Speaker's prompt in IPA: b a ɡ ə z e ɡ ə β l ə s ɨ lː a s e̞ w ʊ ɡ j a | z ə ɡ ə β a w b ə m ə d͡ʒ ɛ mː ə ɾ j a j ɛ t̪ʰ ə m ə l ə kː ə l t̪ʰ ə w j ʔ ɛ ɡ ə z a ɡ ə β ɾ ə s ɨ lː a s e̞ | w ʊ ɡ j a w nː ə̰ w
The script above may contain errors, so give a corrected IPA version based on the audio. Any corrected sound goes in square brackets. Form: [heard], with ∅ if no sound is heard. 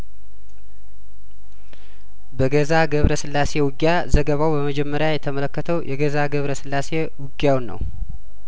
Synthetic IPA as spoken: b [ə] ɡ ə z [a] ɡ ə β [ɾ] ə s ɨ lː a s e̞ w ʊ ɡ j a | z ə ɡ ə β a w b ə m ə d͡ʒ ɛ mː ə ɾ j a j ɛ t̪ʰ ə m ə l ə kː ə [∅] t̪ʰ ə w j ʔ ɛ ɡ ə z a ɡ ə β ɾ ə s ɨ lː a s e̞ | w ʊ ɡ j a w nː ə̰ w